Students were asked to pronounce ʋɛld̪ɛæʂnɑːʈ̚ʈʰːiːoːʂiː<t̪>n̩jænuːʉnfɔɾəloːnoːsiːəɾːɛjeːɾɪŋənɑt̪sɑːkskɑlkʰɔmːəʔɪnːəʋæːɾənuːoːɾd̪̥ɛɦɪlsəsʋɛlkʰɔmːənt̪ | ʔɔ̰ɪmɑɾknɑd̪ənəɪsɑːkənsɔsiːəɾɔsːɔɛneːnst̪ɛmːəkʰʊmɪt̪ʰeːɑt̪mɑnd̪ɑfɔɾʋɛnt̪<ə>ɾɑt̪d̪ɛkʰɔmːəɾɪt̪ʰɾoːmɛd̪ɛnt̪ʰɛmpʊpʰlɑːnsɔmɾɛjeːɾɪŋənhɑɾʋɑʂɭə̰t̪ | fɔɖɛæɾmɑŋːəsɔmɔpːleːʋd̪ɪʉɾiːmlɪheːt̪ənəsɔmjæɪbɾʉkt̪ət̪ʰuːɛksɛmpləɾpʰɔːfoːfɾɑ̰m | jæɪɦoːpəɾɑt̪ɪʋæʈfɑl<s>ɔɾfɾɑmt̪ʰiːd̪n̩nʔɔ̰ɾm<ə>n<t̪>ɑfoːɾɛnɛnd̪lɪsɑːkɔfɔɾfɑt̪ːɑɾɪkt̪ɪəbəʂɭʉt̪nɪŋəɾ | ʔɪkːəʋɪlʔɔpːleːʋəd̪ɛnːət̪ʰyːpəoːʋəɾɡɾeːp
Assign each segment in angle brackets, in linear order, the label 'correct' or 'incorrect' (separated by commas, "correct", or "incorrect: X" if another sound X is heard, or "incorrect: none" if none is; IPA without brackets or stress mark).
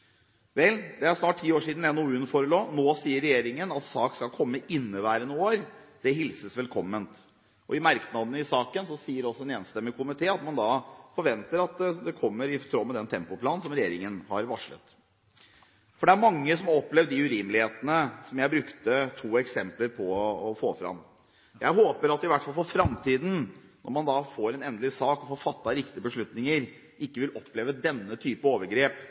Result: incorrect: d̪, correct, incorrect: f, incorrect: ɑ, incorrect: d̪